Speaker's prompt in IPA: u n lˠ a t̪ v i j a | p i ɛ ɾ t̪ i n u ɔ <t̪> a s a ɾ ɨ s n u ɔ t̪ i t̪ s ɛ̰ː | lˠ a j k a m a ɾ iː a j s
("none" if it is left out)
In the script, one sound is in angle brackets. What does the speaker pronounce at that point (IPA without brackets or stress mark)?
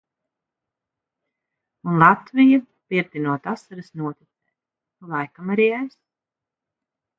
t̪